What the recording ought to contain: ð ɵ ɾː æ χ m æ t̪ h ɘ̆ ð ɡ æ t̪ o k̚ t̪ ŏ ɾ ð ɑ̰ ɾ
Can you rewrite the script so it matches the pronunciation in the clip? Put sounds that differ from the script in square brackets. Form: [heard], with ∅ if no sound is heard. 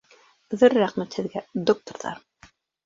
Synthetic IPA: ð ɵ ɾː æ χ m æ t̪ h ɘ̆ ð ɡ æ [d̪] o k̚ t̪ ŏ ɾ ð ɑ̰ ɾ